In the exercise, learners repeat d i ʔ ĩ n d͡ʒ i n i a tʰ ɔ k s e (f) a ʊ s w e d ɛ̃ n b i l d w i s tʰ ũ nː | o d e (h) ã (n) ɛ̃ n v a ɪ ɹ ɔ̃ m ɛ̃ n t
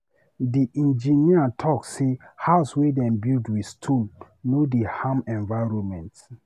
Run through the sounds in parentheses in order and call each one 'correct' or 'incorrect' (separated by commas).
incorrect, correct, incorrect